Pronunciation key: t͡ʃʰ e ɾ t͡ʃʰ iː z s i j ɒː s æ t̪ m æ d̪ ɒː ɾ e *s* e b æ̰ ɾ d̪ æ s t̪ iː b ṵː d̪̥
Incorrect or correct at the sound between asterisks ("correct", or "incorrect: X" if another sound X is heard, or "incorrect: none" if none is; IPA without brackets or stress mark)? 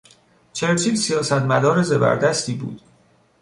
incorrect: z